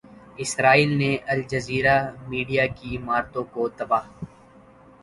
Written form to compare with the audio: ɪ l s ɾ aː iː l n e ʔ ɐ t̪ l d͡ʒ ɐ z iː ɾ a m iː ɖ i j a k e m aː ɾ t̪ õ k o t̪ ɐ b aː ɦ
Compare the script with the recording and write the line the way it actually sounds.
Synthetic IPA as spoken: ɪ s ɾ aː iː l n e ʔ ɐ l d͡ʒ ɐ z iː ɾ a m iː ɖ i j a k i m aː ɾ t̪ õ k o t̪ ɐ b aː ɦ